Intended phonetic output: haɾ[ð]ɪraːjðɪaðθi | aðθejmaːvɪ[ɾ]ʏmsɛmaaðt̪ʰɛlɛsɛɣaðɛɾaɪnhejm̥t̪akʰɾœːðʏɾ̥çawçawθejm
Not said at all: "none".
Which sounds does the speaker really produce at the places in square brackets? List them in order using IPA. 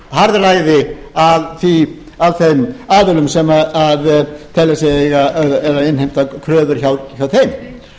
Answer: ð, l

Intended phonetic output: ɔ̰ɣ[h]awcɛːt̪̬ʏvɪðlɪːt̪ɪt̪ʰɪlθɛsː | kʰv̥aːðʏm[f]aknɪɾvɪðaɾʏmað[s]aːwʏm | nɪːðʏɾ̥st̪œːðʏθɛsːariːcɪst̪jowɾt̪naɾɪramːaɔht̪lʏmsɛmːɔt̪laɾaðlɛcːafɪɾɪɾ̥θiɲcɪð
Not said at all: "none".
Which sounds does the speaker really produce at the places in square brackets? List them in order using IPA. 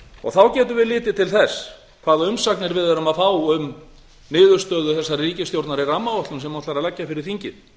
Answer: θ, s, f

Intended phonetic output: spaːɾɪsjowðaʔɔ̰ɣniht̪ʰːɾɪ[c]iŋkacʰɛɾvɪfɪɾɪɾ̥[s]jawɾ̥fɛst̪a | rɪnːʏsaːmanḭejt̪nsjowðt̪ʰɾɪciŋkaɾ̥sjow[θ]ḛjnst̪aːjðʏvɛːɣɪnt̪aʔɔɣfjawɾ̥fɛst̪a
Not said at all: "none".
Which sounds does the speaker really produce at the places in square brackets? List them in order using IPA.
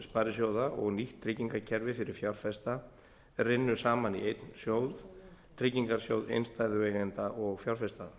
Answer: c, f, ð

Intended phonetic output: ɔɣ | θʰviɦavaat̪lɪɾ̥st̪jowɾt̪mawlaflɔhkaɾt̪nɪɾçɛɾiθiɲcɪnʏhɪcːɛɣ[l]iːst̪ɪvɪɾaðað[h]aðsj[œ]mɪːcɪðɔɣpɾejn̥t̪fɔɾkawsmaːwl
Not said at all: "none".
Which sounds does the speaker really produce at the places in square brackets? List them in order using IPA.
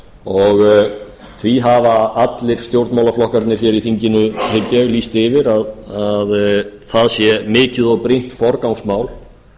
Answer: l, θ, ɛ

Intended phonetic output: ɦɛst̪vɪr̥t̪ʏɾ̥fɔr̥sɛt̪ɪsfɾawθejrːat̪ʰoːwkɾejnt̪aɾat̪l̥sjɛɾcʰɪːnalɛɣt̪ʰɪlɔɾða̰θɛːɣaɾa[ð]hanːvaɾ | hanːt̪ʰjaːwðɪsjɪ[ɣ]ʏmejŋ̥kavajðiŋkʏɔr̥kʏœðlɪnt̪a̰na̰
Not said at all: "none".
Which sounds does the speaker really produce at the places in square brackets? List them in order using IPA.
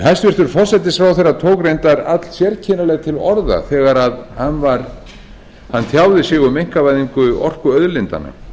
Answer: ð, ɣ

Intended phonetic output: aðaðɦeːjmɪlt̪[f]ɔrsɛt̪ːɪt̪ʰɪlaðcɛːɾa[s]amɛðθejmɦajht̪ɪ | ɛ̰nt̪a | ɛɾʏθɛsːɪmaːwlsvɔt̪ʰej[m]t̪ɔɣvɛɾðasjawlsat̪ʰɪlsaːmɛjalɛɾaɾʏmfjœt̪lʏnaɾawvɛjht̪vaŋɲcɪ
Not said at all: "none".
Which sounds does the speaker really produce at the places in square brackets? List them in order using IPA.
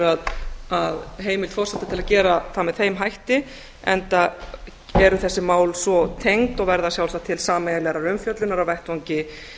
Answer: f, θ, ŋ

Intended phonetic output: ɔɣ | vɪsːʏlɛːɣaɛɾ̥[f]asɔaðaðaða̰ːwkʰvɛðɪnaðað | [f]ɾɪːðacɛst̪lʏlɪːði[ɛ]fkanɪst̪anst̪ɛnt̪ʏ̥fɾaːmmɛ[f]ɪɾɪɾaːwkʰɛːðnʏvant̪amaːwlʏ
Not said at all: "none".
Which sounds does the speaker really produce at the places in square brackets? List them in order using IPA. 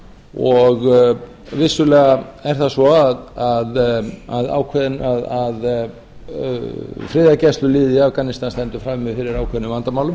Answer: θ, f, a, f

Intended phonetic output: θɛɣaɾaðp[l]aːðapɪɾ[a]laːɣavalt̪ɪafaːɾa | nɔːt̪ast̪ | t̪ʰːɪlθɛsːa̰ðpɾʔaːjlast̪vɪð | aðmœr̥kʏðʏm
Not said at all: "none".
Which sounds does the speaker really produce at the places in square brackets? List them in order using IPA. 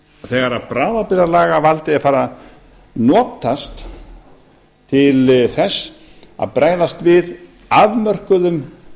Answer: ɾ, a

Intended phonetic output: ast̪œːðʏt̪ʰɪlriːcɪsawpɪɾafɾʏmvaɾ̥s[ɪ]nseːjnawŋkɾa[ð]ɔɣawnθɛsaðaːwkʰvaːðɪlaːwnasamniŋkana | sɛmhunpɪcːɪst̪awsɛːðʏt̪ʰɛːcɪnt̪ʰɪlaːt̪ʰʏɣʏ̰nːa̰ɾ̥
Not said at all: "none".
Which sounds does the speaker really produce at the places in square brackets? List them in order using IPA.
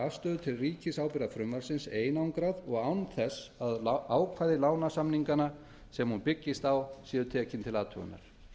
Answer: ɪ, ð

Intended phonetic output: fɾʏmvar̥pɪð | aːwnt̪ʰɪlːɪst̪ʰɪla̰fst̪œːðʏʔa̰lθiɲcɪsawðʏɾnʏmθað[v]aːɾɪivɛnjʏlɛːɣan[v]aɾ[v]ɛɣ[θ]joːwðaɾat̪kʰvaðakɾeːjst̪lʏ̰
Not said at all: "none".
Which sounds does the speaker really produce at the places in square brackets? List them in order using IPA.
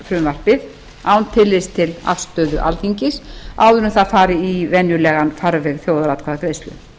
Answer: f, f, v, θ

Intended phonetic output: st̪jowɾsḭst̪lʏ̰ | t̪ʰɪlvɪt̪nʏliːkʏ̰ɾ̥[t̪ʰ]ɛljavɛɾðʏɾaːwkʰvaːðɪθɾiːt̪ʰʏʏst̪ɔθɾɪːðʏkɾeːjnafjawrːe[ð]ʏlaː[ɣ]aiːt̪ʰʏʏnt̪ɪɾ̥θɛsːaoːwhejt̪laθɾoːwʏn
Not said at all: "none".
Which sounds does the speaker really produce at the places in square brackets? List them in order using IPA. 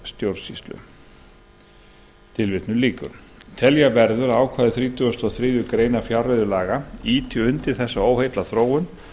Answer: t̪ʰ, ð, ɣ

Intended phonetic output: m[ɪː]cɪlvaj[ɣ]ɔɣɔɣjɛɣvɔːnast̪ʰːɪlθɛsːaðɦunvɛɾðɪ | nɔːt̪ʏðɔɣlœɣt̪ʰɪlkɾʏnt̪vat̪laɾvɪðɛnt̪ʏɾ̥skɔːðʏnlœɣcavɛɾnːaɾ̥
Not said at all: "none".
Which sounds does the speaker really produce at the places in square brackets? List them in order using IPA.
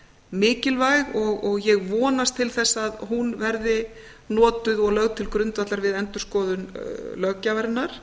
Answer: ɪː, ɣ

